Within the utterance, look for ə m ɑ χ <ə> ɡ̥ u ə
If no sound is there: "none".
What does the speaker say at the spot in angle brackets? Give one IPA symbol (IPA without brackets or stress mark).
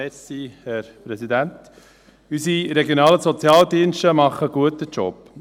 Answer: ə